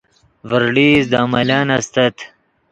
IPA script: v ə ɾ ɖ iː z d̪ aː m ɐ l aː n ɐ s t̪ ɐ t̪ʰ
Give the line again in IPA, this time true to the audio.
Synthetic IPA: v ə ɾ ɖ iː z d̪ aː m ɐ l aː n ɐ s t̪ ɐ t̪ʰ